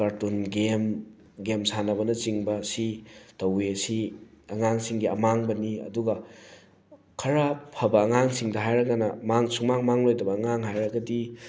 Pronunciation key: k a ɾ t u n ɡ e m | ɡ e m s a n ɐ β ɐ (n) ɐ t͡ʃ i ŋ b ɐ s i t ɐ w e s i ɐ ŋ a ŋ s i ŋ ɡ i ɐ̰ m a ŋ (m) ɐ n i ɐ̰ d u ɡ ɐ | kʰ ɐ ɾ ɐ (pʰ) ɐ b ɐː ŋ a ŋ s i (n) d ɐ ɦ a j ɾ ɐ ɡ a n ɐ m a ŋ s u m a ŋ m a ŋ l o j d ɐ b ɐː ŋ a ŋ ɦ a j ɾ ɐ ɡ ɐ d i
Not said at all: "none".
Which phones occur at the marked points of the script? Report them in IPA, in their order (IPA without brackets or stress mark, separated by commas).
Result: n, b, pʰ, ŋ